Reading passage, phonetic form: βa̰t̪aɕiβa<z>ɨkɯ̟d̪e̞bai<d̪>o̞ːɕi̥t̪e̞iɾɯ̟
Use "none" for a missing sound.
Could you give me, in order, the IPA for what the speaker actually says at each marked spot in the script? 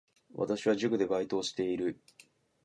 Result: ʑ, t̪

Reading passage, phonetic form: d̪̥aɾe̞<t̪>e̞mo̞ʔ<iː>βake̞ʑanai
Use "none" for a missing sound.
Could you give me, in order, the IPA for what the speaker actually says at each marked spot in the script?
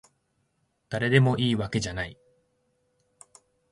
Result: d̪, iː

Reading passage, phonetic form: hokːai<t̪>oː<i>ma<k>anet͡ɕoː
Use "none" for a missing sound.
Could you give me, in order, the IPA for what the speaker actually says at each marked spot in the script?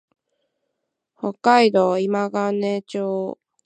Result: d̪, i, ɡ

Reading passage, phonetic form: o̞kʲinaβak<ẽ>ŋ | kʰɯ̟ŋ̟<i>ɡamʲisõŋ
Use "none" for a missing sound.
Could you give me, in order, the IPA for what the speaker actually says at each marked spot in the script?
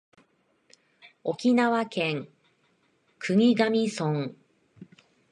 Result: ẽ, i

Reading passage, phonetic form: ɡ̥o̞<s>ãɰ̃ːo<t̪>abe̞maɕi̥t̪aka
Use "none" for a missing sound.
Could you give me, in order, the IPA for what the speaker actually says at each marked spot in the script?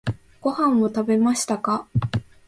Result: h, t̪

